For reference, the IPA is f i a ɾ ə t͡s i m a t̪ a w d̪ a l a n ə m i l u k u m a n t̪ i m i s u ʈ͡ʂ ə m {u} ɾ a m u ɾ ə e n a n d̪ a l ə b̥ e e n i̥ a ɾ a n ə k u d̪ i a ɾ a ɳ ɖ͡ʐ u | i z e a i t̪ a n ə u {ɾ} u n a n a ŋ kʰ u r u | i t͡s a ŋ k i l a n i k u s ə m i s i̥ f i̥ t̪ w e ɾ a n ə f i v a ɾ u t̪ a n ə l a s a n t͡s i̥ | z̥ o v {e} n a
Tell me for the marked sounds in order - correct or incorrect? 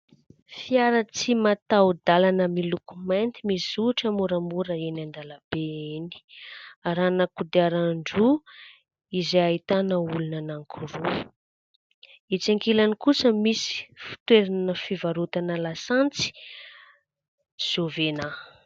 correct, incorrect, correct

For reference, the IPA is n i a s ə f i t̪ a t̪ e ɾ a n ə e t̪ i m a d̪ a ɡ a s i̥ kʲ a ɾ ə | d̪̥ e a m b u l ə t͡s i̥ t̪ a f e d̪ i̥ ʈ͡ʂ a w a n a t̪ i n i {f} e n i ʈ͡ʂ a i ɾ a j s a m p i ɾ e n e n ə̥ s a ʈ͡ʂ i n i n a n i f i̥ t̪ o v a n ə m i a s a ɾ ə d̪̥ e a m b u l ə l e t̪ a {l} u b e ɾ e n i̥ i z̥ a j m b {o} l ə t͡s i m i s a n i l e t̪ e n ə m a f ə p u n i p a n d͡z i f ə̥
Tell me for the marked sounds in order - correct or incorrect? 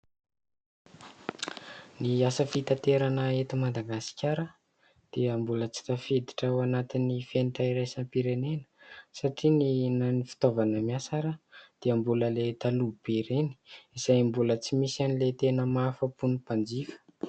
correct, correct, incorrect

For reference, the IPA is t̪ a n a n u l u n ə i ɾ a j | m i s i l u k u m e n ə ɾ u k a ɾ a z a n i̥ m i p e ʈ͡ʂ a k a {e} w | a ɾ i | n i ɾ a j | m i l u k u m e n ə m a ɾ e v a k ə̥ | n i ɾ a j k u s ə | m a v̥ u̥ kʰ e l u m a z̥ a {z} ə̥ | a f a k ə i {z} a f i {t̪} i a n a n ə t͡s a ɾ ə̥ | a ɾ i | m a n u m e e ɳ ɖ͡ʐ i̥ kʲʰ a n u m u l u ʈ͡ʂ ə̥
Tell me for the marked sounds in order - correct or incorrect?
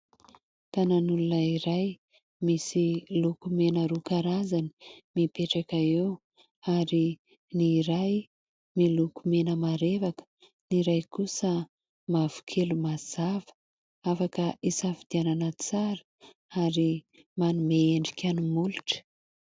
correct, incorrect, incorrect, incorrect

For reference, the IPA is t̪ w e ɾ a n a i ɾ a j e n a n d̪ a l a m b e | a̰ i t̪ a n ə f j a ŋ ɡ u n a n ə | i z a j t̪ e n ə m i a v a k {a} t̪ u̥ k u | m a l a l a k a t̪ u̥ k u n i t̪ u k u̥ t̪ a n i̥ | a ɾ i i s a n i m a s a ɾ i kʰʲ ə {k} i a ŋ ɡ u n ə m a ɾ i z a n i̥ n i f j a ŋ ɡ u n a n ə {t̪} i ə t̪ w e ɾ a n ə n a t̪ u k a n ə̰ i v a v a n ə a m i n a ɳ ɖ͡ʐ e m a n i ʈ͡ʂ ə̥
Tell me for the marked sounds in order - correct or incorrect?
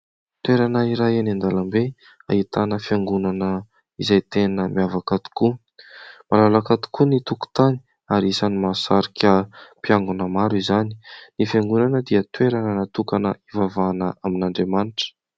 correct, incorrect, incorrect

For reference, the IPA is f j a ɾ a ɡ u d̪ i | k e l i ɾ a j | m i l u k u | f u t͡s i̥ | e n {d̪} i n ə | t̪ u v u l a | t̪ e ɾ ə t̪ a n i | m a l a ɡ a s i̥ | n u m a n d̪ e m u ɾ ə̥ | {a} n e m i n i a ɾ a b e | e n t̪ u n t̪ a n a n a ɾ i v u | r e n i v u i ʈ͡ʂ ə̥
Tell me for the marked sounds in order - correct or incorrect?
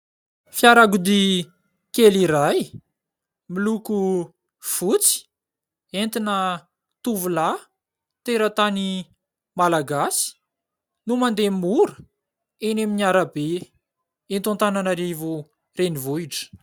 incorrect, incorrect

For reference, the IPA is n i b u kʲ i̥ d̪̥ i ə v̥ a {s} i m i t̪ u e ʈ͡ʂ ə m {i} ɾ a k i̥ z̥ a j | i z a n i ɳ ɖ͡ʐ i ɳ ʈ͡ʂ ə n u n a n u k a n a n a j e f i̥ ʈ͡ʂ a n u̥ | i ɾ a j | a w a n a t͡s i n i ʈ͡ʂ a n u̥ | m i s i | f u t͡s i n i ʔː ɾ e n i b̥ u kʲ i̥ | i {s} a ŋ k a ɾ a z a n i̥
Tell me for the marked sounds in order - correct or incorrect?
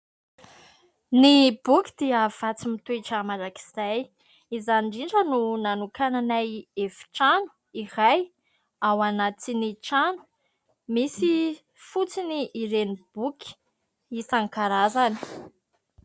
incorrect, incorrect, correct

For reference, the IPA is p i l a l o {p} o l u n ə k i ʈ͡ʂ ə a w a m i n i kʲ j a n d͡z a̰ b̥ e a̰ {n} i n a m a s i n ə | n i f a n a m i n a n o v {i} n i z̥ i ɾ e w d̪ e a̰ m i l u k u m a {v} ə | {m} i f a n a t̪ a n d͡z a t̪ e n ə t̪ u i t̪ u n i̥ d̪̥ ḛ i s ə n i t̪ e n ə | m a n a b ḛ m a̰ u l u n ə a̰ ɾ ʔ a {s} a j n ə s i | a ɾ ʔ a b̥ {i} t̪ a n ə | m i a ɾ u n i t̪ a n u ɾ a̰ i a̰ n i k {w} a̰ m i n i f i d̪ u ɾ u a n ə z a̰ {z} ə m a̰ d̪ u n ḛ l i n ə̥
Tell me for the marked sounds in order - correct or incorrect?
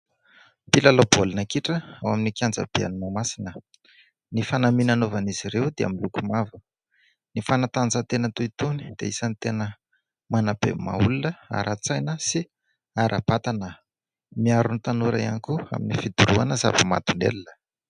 incorrect, correct, incorrect, correct, incorrect, incorrect, incorrect, incorrect, incorrect

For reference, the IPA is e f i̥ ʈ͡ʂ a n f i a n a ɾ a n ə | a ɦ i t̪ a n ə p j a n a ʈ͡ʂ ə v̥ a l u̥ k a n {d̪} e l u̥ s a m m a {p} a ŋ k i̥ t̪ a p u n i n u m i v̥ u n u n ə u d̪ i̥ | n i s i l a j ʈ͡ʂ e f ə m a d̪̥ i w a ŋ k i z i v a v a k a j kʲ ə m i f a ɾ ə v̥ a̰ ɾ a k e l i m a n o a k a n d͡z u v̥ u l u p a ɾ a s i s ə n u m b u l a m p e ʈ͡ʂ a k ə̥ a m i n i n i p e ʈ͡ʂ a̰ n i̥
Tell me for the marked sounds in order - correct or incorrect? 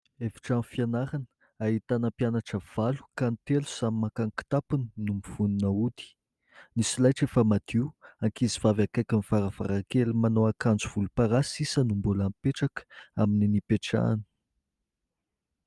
incorrect, incorrect

